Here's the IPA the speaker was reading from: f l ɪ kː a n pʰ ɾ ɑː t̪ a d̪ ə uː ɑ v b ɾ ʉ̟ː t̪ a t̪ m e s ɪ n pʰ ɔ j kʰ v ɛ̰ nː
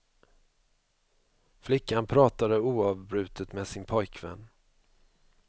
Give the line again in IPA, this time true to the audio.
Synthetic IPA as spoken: f l ɪ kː a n pʰ ɾ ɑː t̪ a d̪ ə uː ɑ v b ɾ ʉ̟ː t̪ ə t̪ m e s ɪ n pʰ ɔ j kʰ v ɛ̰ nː